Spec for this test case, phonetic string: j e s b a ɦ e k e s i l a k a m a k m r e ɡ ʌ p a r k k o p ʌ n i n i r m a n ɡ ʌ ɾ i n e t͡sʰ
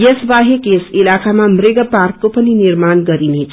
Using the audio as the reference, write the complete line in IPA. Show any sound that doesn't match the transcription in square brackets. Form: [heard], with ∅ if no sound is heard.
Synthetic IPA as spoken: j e s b a ɦ e k e s i l a k a m a [∅] m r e ɡ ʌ p a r k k o p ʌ n i n i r m a n ɡ ʌ ɾ i n e t͡sʰ

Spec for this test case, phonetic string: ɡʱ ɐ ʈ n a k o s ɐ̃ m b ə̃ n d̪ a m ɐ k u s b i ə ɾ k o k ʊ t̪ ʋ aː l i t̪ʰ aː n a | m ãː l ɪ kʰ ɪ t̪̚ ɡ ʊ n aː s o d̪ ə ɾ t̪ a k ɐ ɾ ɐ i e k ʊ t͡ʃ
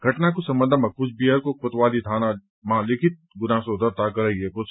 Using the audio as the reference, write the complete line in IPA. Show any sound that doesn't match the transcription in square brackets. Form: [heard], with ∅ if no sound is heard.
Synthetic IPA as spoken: ɡʱ ɐ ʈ n a k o s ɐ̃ m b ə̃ n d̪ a m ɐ k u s b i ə ɾ k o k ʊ t̪ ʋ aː l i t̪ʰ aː n a | m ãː l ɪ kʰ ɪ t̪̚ ɡ ʊ n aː s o d̪ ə ɾ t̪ a k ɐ ɾ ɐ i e k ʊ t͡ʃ

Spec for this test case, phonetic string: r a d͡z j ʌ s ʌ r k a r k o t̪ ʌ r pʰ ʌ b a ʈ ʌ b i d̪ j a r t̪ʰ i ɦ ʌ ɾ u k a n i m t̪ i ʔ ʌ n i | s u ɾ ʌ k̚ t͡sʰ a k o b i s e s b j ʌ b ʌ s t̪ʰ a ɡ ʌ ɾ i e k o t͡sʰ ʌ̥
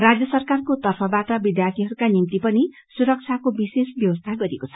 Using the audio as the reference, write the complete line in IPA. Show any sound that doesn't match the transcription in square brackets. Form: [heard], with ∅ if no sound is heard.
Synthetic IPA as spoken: r a d͡z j ʌ s ʌ r k a r k o t̪ ʌ r pʰ ʌ b a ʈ ʌ b i d̪ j a r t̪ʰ i ɦ ʌ ɾ u k a n i m t̪ i [p] ʌ n i | s u ɾ ʌ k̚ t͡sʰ a k o b i s e s b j ʌ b ʌ s t̪ʰ a ɡ ʌ ɾ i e k o t͡sʰ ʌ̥

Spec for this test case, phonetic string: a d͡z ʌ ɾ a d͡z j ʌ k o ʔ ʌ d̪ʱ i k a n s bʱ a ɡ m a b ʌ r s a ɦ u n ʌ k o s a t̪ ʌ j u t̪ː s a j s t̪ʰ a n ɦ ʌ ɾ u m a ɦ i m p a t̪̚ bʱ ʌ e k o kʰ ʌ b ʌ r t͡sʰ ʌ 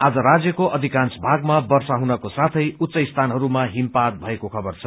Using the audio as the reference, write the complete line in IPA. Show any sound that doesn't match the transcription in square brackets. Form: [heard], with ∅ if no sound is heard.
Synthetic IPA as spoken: a d͡z ʌ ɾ a d͡z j ʌ k o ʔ ʌ d̪ʱ i k a n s bʱ a ɡ m a b ʌ r s a ɦ u n ʌ k o s a [t̪ʰ] ʌ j u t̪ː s [ʌ] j s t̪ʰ a n ɦ ʌ ɾ u m a ɦ i m p a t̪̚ bʱ ʌ e k o kʰ ʌ b ʌ r t͡sʰ ʌ

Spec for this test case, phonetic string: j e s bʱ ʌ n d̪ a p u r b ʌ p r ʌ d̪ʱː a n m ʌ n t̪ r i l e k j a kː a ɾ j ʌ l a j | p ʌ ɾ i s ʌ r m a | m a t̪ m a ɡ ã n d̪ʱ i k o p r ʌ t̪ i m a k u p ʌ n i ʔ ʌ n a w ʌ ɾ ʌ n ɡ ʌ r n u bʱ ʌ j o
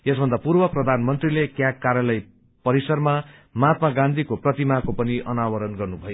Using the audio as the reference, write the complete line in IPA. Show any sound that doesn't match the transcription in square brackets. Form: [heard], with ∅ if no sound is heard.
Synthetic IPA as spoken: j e s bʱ ʌ n d̪ a p u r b ʌ p r ʌ [d̪ʱ] a n m ʌ n t̪ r i l e k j a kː a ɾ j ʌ l [ʌ] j | p ʌ ɾ i s ʌ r m a | m a t̪ m a ɡ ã n d̪ʱ i k o p r ʌ t̪ i m a k [o] p ʌ n i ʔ ʌ n a w ʌ ɾ ʌ n ɡ ʌ r n u bʱ ʌ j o

